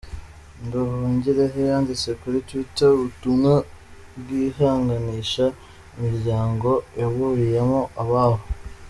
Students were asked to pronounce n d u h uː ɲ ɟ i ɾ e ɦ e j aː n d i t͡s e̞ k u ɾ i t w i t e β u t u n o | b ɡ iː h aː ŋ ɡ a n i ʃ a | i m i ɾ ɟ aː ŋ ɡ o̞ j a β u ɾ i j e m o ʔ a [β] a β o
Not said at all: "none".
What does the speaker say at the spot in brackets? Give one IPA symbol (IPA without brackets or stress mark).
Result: β